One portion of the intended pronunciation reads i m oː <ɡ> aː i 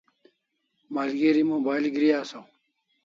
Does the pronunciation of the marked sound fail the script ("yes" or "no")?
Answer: yes